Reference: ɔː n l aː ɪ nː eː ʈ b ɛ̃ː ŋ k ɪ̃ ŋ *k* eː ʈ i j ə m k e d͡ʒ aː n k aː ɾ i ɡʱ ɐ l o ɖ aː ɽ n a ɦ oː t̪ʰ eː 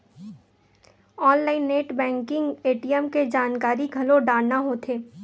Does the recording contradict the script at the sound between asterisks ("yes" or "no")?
yes